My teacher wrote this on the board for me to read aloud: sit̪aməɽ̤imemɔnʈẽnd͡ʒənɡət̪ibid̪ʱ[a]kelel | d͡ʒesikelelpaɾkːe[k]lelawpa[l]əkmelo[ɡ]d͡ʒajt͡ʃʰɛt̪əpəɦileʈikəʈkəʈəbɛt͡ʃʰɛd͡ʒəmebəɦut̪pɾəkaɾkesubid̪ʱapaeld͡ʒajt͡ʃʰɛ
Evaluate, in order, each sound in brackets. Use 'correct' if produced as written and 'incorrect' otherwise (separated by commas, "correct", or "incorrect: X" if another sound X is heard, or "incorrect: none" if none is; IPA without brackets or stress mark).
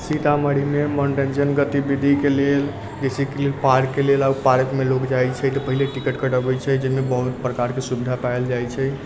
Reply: incorrect: i, incorrect: none, incorrect: ɾ, incorrect: k